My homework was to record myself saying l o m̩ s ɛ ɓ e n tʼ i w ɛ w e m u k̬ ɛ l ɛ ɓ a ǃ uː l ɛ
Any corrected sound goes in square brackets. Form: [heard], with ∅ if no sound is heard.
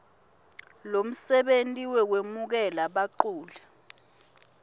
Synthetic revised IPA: l o m̩ s ɛ ɓ e n tʼ i w ɛ w e m u k̬ ɛ l [a] ɓ a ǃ uː l ɛ

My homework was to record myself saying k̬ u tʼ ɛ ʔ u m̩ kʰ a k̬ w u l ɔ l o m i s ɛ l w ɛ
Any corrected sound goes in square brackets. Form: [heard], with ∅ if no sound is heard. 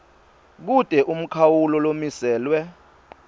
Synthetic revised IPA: k̬ u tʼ ɛ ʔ u m̩ kʰ a [∅] w u l ɔ l o m i s [ɛː] l w ɛ

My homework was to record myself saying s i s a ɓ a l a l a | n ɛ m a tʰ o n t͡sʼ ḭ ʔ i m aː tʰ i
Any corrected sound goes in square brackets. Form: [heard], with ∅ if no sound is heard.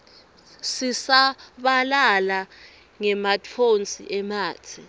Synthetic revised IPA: s i s a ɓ a l a l a | [ŋ] ɛ m a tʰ o n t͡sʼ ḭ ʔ [ɛ] m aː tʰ i

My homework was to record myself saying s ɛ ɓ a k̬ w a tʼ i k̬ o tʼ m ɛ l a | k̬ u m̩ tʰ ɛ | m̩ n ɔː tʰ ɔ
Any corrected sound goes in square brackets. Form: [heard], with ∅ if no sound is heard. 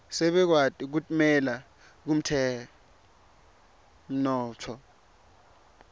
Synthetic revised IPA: s ɛ ɓ [ɛ] k̬ w a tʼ i k̬ [u] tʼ m ɛ l a | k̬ u m̩ tʰ ɛ | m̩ n ɔː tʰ ɔ

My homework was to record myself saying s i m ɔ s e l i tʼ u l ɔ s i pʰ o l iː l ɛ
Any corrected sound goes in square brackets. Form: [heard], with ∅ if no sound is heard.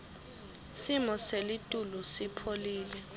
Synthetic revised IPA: s i m ɔ s e l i tʼ u l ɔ s i pʰ o l iː l ɛ

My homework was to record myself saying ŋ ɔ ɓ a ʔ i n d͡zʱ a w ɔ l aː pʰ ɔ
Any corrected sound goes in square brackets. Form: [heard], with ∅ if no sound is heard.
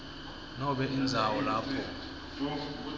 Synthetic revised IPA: [n] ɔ ɓ [ɛ] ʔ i n d͡zʱ a w ɔ l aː pʰ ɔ

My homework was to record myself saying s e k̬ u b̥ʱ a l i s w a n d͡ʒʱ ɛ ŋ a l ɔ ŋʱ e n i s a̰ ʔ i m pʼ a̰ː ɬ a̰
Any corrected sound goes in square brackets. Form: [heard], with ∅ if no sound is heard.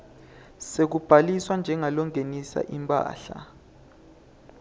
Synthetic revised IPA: s e k̬ u b̥ʱ a l i s w a n d͡ʒʱ ɛ ŋ a l ɔ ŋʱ e n i s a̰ ʔ i m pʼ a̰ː ɬ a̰

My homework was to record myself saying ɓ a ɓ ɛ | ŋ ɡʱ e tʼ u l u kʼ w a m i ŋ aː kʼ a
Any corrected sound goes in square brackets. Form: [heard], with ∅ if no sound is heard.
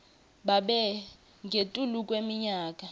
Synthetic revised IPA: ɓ a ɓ ɛ | ŋ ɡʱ e tʼ u l u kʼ w [e] m i [ɲ] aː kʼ a

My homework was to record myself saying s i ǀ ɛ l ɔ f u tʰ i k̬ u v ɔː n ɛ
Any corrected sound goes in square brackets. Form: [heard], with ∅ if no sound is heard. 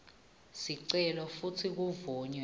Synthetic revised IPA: s i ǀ ɛ l ɔ f u tʰ i k̬ u v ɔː [ɲ] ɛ

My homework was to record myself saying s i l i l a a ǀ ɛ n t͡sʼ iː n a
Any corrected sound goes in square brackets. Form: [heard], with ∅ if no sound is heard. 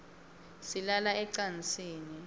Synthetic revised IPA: s i l [a] l a [ɛ] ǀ [a] n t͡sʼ iː n [i]

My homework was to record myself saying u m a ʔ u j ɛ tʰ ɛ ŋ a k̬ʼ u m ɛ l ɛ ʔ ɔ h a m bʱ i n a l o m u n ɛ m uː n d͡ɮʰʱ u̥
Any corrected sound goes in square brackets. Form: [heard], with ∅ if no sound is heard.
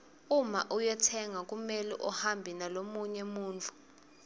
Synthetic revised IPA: u m a ʔ u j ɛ tʰ ɛ ŋ a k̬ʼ u m ɛ l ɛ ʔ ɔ h a m bʱ i n a l o m u [ɲ] ɛ m uː n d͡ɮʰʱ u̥

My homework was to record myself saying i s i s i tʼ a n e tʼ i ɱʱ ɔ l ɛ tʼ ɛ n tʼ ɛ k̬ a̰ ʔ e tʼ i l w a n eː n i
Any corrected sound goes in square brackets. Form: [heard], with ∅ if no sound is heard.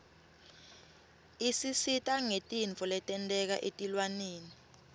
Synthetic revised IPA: i s i s i tʼ a [ŋ] e tʼ i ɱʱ ɔ l ɛ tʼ ɛ n tʼ ɛ k̬ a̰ ʔ e tʼ i l w a n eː n i

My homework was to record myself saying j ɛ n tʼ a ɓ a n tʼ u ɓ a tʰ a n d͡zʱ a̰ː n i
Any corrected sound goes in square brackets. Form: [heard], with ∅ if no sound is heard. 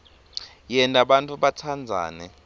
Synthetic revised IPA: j ɛ n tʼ a ɓ a n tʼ u ɓ a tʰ a n d͡zʱ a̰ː n [ɛ]

